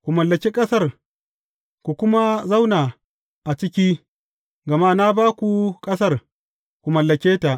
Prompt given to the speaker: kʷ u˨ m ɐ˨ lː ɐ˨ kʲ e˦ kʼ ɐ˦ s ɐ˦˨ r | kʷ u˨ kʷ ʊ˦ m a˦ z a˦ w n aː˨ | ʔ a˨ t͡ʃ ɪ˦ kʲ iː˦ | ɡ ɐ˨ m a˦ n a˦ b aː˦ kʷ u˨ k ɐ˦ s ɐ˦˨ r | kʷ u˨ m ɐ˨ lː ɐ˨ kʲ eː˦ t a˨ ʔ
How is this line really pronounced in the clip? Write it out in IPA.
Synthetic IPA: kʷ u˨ m ɐ˨ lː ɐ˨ kʲ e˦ kʼ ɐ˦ s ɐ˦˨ r | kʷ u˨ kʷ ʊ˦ m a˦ z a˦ w n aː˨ | ʔ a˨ t͡ʃ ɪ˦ kʲ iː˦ | ɡ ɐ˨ m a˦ n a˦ b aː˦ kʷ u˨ kʼ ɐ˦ s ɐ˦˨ r | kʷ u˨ m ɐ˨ lː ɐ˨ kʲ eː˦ t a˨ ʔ